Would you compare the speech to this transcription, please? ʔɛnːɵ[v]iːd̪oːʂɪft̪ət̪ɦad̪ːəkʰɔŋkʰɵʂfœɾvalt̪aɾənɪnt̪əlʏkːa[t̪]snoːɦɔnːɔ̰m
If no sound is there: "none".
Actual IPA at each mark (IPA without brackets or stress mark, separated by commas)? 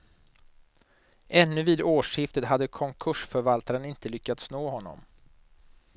v, t̪